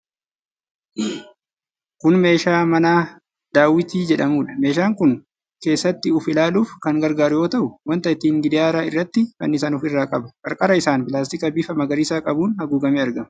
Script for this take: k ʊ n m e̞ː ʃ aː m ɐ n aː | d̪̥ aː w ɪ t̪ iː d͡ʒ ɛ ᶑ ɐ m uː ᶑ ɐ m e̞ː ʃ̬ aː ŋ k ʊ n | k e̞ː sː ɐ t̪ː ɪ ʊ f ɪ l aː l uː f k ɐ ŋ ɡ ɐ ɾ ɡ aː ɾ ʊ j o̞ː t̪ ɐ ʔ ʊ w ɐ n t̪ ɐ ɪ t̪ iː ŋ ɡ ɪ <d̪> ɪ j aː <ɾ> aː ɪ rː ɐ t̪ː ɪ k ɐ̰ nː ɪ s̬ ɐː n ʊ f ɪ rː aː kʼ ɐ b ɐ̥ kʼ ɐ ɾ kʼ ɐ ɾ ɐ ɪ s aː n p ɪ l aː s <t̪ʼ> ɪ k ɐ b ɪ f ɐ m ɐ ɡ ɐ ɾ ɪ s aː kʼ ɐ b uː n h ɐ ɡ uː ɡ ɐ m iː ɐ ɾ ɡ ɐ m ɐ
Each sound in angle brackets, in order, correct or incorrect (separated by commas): correct, correct, incorrect